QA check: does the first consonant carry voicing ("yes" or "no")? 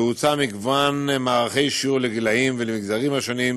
no